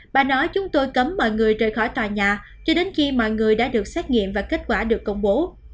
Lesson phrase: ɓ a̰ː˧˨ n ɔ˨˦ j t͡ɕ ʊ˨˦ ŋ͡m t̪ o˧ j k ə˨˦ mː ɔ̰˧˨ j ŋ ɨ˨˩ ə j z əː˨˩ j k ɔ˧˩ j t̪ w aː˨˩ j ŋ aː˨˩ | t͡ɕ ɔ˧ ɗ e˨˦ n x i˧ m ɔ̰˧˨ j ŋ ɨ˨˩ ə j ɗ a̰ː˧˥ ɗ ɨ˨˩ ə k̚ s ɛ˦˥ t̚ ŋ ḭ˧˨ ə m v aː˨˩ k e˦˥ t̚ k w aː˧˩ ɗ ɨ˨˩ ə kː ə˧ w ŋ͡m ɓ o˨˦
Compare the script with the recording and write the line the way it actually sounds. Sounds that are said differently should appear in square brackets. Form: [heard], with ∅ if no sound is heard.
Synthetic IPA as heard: ɓ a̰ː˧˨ n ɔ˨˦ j t͡ɕ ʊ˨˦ ŋ͡m t̪ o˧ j k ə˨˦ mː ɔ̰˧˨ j ŋ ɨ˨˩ ə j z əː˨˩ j [x] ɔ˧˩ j t̪ w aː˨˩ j [ɲ] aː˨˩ | t͡ɕ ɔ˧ ɗ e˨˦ n x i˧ m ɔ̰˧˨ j ŋ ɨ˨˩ ə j ɗ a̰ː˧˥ ɗ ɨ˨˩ ə k̚ s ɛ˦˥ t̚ ŋ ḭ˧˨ ə m v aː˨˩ k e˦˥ t̚ k w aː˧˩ ɗ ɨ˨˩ ə kː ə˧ w ŋ͡m ɓ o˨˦